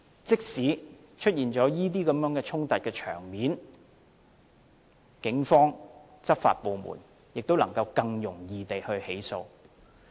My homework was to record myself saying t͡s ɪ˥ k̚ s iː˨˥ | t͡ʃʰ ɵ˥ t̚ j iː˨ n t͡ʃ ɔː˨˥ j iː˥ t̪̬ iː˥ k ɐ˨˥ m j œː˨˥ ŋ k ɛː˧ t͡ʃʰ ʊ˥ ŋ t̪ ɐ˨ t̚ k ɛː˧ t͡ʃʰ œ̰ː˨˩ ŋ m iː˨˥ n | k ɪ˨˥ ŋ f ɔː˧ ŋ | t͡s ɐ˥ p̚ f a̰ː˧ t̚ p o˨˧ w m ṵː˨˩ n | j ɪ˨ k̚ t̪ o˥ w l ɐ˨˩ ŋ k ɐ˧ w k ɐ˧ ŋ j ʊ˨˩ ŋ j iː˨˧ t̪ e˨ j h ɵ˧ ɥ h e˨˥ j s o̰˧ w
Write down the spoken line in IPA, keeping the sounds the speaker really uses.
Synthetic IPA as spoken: t͡s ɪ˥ k̚ s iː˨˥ | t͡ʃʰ ɵ˥ t̚ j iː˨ n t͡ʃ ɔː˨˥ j iː˥ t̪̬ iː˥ k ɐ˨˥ m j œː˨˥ ŋ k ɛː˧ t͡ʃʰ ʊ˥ ŋ t̪ ɐ˨ t̚ k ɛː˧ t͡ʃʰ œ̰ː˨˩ ŋ m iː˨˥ n | k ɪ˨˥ ŋ f ɔː˥ ŋ | t͡s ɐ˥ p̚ f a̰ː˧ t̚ p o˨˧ w m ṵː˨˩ n | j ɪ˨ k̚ t̪ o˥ w l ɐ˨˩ ŋ k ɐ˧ w k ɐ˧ ŋ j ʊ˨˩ ŋ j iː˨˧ t̪ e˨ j h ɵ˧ ɥ h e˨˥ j s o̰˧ w